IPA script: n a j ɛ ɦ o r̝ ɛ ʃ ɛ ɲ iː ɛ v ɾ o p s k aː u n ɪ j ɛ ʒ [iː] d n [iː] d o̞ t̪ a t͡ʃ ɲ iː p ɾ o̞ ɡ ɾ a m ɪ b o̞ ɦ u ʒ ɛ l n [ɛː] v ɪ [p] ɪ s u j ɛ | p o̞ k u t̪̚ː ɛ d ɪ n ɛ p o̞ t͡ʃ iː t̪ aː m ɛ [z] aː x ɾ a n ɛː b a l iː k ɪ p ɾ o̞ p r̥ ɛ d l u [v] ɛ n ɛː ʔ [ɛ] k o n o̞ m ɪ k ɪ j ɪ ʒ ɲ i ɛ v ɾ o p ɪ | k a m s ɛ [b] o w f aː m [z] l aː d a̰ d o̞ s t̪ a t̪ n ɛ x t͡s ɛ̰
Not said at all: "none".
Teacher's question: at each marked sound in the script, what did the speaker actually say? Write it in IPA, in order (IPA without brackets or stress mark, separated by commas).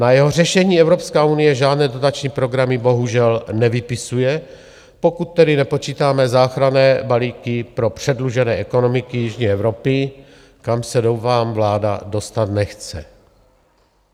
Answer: aː, ɛː, ɛ, p, z, ʒ, ɛ, d, v